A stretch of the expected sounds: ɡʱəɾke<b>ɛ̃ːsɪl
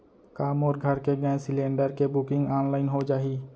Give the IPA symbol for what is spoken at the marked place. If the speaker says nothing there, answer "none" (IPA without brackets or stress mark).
ɡ